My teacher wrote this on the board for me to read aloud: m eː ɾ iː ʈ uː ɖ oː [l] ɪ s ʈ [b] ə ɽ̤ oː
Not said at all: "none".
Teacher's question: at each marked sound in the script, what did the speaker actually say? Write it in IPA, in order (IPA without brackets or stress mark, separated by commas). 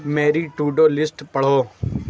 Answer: l, p